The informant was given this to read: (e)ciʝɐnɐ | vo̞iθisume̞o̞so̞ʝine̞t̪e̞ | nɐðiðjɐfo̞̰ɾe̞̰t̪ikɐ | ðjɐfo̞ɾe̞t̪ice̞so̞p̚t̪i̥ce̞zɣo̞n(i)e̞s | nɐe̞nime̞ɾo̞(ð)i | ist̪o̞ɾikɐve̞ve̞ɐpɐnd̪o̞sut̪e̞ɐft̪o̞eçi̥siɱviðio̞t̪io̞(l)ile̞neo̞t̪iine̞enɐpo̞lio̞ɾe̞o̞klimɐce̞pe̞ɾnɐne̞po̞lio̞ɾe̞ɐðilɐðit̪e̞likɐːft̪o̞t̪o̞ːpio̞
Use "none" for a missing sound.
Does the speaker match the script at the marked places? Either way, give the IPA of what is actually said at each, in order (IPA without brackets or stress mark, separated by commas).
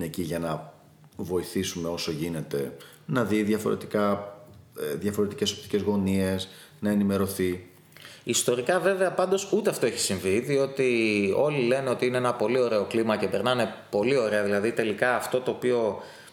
e, i, θ, l